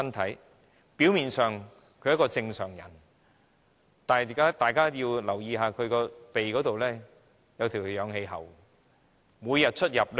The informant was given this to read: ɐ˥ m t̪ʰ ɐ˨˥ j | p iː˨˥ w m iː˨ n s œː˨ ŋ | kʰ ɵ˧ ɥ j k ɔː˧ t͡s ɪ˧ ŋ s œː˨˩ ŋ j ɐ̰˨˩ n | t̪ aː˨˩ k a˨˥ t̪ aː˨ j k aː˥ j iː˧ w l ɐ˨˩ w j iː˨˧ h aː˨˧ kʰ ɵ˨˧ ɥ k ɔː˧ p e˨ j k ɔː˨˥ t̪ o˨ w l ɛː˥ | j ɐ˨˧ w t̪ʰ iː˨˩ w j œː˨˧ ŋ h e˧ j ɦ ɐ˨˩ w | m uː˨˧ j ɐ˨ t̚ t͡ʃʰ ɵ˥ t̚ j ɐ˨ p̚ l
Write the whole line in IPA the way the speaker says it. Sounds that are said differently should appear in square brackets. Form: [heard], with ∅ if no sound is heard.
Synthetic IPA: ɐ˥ [n] t̪ʰ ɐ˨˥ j | p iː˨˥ w m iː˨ n s œː˨ ŋ | kʰ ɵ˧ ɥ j k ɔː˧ t͡s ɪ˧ ŋ s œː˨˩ ŋ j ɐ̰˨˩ n | t̪ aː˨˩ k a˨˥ t̪ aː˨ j k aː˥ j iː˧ w l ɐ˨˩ w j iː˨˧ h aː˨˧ kʰ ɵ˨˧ ɥ k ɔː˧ p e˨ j k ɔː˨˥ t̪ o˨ w l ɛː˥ | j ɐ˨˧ w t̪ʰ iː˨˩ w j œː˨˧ ŋ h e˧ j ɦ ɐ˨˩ w | m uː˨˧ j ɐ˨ t̚ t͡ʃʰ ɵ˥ t̚ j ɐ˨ p̚ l

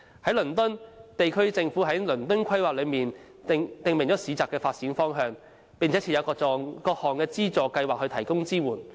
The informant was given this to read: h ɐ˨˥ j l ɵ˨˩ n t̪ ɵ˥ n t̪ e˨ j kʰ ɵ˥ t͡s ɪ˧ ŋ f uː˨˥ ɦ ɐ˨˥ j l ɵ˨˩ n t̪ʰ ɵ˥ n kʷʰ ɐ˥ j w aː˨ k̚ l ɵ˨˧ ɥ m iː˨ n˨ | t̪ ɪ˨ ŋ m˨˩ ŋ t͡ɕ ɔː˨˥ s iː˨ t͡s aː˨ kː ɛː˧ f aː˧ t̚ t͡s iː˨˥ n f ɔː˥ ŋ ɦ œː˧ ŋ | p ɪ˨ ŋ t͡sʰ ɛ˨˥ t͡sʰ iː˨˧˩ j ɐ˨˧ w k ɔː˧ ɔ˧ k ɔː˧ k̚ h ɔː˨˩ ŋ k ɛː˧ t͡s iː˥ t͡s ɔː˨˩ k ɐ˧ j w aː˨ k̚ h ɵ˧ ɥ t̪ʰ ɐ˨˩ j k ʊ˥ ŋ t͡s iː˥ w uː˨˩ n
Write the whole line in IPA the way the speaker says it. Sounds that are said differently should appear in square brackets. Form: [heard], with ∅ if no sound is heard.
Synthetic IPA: h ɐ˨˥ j l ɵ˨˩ n t̪ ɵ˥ n t̪ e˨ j kʰ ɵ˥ t͡s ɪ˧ ŋ f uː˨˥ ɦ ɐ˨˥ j l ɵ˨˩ n [t̪] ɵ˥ n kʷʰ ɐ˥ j w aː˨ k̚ l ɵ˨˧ ɥ m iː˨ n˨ | t̪ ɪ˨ ŋ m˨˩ ŋ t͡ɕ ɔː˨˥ s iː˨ t͡s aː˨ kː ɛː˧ f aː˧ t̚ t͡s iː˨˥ n f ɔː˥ ŋ ɦ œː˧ ŋ | p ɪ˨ ŋ t͡sʰ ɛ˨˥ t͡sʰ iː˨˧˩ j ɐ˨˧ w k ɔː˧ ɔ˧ k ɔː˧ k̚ h ɔː˨˩ ŋ k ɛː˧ t͡s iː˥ t͡s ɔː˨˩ k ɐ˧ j w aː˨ k̚ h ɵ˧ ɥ t̪ʰ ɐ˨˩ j k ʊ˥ ŋ t͡s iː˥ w uː˨˩ n

